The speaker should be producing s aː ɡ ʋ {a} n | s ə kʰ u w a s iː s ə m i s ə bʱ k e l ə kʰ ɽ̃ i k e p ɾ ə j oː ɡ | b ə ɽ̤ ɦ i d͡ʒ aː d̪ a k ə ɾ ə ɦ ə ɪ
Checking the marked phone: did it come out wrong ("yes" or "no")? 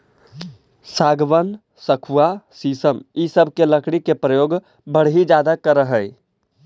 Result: yes